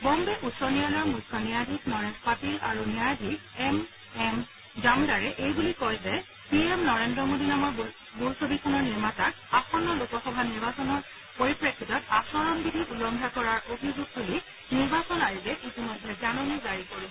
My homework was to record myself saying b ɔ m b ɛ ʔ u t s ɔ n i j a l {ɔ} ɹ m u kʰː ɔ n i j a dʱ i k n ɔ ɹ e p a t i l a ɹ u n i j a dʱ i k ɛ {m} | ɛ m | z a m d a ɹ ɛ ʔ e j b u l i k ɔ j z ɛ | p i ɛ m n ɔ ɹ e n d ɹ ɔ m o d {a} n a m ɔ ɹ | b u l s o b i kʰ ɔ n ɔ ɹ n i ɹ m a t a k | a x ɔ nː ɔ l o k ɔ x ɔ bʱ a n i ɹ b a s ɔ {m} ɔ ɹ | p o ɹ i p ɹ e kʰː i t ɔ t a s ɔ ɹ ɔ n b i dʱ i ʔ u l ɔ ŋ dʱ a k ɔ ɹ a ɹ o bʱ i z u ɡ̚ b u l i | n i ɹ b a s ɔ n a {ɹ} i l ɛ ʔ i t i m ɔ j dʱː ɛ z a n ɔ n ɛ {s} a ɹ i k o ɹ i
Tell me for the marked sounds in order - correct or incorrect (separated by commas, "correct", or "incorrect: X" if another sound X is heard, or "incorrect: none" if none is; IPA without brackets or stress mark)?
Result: correct, correct, incorrect: i, incorrect: n, correct, incorrect: z